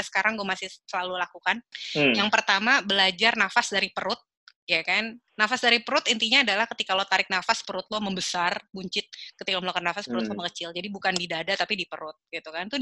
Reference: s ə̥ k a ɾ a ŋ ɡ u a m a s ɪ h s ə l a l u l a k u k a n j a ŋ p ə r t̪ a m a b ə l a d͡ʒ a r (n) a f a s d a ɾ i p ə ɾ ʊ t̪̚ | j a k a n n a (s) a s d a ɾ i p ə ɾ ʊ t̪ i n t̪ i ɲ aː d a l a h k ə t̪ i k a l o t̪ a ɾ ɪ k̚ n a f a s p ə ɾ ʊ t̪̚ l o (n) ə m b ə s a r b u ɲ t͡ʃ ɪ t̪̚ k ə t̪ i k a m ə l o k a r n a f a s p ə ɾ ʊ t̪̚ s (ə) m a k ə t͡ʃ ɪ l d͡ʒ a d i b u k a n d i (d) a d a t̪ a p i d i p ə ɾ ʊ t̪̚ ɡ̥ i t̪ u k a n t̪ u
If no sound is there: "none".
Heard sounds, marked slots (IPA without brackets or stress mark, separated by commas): n, f, m, a, d